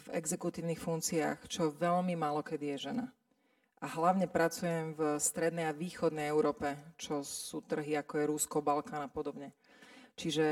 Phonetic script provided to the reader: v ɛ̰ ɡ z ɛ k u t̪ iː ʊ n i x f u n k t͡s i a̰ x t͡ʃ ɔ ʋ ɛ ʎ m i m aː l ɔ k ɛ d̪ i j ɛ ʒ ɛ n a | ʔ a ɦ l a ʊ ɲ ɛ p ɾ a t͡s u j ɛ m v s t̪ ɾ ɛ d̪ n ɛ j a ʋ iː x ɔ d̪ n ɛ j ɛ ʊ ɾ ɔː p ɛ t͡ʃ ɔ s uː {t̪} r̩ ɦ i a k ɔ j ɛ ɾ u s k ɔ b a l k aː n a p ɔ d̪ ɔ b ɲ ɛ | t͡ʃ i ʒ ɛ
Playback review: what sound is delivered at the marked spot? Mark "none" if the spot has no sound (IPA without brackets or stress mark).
t̪